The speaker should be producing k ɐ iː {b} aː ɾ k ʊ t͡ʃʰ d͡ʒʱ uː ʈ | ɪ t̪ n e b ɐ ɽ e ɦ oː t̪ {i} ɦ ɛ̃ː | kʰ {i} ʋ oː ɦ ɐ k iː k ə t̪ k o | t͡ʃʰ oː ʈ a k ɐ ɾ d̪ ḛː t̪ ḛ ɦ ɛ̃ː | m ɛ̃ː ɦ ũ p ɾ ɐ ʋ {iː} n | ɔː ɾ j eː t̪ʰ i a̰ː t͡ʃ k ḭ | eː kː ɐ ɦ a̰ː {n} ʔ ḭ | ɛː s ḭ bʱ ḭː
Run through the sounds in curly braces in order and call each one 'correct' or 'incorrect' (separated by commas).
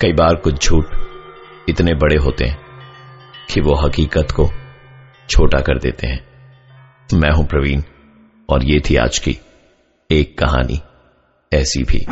correct, incorrect, correct, correct, correct